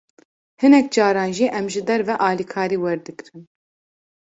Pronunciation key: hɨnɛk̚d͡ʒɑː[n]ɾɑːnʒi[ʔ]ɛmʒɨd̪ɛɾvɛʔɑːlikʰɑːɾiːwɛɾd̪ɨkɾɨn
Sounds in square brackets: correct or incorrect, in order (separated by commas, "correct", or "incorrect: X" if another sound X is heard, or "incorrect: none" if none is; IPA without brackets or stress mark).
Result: incorrect: none, correct